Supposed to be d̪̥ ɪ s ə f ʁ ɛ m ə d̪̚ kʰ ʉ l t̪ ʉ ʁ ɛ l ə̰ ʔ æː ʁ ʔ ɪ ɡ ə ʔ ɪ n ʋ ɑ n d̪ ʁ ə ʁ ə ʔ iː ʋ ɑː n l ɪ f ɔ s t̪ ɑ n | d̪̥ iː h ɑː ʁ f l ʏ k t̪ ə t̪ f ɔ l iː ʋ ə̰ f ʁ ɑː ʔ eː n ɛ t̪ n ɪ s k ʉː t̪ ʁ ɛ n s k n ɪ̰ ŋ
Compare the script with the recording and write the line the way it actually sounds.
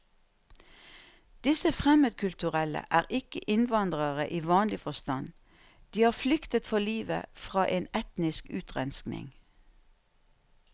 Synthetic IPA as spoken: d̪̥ ɪ s ə f ʁ ɛ m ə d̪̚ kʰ ʉ l t̪ ʉ ʁ ɛ l ə̰ ʔ æː ʁ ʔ ɪ k ə ʔ ɪ n ʋ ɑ n d̪ ʁ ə ʁ ə ʔ iː ʋ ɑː n l ɪ f ɔ s t̪ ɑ n | d̪̥ iː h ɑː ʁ f l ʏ k t̪ ə t̪ f ɔ l iː ʋ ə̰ f ʁ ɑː ʔ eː n ɛ t̪ n ɪ s k ʉː t̪ ʁ ɛ n s k n ɪ̰ ŋ